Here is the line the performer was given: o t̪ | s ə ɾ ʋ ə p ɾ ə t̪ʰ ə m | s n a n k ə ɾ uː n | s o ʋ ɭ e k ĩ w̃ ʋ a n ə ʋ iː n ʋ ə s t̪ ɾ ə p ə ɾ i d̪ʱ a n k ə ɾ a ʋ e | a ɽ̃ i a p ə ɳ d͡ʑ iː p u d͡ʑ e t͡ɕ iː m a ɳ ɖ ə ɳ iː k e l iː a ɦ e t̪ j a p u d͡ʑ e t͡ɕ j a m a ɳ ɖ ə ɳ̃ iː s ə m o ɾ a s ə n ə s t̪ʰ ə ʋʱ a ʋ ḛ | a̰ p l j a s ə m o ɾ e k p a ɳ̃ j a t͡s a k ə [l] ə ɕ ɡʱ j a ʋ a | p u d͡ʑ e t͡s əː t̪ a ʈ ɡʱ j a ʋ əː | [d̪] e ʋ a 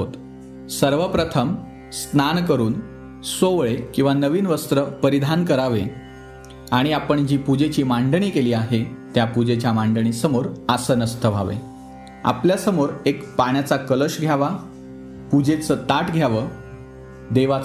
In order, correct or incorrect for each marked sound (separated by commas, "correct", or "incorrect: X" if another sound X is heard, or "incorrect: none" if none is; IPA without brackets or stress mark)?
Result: correct, correct